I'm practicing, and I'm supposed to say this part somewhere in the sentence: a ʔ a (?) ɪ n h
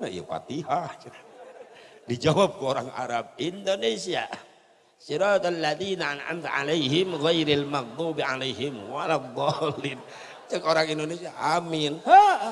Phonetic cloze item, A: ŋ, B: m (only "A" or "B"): B